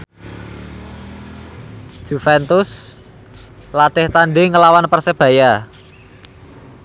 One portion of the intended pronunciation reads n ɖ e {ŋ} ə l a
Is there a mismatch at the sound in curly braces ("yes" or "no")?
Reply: no